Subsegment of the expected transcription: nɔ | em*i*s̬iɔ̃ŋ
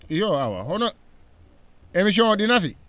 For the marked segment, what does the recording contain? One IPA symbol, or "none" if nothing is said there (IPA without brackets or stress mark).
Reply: i